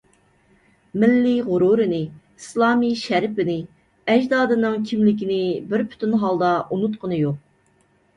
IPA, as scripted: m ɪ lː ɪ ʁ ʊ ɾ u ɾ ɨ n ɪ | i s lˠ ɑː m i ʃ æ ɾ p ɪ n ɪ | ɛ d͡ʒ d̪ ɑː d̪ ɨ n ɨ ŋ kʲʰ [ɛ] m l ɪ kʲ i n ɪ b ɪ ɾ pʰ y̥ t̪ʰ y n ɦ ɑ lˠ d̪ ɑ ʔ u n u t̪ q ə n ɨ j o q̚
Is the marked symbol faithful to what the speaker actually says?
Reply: no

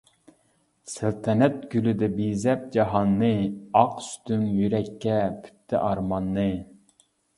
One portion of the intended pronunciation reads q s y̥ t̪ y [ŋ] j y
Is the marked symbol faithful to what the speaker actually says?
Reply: yes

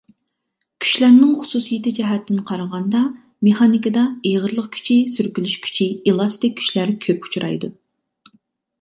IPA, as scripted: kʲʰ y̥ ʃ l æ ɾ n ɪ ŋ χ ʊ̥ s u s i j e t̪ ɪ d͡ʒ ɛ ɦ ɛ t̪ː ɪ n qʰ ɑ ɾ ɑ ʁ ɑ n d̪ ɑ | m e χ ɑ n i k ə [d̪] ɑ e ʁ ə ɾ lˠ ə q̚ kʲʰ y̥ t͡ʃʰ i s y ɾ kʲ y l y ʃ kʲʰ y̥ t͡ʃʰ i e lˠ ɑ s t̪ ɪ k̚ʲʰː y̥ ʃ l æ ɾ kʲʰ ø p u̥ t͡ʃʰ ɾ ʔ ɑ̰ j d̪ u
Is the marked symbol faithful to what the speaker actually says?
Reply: yes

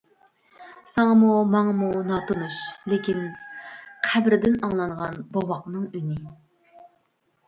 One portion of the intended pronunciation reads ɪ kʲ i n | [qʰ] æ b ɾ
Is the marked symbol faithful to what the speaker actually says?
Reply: yes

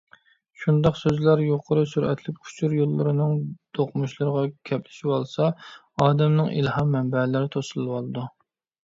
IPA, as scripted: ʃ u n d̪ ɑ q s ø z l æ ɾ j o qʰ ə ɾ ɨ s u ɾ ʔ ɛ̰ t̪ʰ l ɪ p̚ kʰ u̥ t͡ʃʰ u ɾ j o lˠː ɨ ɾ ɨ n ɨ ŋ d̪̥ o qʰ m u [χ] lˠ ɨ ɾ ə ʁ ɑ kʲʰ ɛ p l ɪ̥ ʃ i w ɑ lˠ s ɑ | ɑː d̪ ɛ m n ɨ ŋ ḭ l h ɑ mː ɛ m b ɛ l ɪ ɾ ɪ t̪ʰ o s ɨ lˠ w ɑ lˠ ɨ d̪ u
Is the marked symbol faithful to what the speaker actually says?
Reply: no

